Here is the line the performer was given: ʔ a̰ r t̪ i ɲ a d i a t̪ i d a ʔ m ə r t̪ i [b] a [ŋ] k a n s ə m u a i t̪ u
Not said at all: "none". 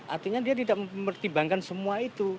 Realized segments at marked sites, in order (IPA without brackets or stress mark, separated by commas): b, ŋ